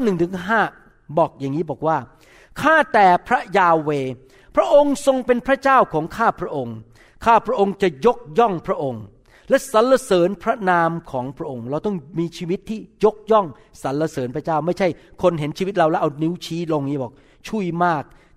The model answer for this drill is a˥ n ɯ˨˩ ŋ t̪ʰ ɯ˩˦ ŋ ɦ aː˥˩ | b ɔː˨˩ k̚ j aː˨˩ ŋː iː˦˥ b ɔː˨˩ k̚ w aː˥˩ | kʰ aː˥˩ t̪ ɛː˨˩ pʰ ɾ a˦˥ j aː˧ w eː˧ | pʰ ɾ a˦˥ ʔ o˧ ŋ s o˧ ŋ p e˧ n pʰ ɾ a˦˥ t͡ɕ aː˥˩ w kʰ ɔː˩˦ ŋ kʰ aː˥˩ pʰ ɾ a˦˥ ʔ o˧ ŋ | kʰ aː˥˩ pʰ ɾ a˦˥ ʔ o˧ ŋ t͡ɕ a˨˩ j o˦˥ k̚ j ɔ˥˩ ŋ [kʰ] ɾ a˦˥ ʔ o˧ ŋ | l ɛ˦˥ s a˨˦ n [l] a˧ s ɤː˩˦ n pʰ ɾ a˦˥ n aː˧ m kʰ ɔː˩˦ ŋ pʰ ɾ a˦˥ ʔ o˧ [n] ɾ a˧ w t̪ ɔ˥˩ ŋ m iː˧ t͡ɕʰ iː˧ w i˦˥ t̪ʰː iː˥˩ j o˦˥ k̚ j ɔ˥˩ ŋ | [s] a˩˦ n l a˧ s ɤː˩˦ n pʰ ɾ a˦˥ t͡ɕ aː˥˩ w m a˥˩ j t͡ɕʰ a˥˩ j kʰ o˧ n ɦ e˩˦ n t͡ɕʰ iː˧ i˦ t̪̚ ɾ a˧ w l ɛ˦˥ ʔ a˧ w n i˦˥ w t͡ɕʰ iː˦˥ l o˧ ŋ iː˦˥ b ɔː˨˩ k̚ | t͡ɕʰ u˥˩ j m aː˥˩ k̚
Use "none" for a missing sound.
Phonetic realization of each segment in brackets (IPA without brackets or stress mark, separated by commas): pʰ, l, ŋ, s